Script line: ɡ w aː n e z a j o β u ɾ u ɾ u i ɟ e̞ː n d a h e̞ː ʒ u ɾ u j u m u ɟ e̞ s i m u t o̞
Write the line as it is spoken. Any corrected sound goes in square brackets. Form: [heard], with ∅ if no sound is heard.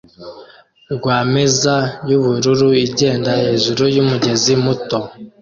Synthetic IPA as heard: ɡ w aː [m] e z a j [u] β u ɾ u ɾ u i ɟ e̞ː n d a h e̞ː ʒ u ɾ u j u m u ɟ e̞ [z] i m u t o̞